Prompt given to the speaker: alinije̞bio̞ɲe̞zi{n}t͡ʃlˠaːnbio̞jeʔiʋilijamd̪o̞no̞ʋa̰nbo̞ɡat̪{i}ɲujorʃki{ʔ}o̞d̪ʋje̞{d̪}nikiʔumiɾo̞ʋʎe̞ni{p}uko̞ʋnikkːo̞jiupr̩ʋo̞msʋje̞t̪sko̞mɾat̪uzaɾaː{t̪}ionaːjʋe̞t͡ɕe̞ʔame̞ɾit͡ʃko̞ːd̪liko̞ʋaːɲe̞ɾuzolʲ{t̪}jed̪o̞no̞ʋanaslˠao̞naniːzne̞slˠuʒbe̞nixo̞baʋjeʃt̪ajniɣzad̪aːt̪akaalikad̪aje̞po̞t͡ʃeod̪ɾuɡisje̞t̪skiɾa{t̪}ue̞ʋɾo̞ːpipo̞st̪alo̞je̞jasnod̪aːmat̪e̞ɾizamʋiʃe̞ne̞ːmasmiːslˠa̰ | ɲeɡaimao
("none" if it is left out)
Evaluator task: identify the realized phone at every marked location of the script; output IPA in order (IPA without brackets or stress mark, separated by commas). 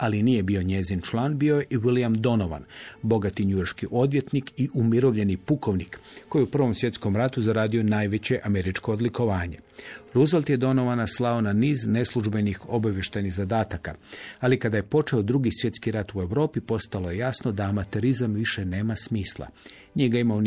n, i, ʔ, t̪, p, d̪, t̪, t̪